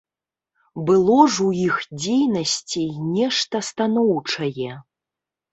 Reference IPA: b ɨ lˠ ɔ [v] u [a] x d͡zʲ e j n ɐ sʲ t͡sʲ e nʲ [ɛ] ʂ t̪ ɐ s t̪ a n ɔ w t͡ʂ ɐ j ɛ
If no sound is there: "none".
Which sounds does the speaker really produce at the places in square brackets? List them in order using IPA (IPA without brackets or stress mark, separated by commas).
ʐ, i, ɛ